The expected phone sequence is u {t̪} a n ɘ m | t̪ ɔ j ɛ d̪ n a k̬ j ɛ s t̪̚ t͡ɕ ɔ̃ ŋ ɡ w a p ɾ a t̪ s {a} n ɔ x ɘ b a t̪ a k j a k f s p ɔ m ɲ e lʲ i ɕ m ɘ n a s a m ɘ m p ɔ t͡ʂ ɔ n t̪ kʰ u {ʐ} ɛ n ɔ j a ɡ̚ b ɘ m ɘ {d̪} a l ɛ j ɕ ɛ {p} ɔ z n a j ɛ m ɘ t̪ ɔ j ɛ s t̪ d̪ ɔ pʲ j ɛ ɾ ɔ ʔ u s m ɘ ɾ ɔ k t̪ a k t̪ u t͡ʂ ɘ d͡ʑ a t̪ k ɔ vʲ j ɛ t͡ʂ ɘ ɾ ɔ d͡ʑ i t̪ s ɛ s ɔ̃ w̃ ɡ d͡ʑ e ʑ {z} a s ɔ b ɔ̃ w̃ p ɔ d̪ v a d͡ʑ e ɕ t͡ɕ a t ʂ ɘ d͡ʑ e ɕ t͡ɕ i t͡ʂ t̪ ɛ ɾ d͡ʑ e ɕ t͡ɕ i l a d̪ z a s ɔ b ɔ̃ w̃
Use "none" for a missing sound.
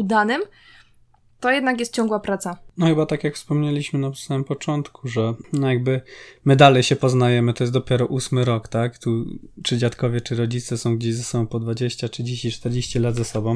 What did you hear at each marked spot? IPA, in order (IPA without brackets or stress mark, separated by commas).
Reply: d̪, a, ʐ, d̪, p, z